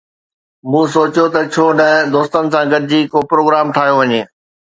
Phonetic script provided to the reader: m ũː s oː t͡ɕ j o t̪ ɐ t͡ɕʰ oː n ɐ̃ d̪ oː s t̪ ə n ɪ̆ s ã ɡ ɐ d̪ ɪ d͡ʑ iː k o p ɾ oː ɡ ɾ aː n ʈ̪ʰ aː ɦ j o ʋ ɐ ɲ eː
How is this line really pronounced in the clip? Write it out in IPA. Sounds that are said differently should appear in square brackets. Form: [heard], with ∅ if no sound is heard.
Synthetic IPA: m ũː s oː t͡ɕ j o t̪ ɐ t͡ɕʰ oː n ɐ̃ d̪ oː s t̪ ə n ɪ̆ s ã ɡ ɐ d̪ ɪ d͡ʑ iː k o p ɾ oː ɡ ɾ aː [m] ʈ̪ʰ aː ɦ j o ʋ ɐ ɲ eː